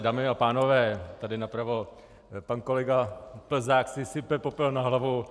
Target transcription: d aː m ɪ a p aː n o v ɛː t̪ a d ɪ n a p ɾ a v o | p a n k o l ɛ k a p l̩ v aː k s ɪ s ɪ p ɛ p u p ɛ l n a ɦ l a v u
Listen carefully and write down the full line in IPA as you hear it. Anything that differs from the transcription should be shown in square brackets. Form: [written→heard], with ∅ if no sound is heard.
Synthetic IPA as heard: d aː m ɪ a p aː n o v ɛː t̪ a d ɪ n a p ɾ a v o | p a n k o l ɛ [k→ɡ] a p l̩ [v→z] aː k s ɪ s ɪ p ɛ p [u→o] p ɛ l n a ɦ l a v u